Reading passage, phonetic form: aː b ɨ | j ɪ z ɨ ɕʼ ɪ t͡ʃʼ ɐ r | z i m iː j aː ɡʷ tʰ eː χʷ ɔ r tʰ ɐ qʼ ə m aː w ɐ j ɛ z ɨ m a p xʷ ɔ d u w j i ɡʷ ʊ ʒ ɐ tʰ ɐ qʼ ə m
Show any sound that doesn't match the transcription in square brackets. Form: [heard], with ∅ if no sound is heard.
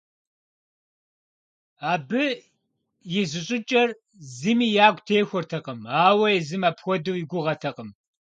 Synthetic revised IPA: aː b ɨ | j ɪ z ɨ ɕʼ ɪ t͡ʃʼ ɐ r | z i m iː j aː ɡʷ tʰ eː [xʷ] ɔ r tʰ ɐ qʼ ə m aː w ɐ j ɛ z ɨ m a p xʷ ɔ d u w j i ɡʷ ʊ [ʁ] ɐ tʰ ɐ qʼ ə m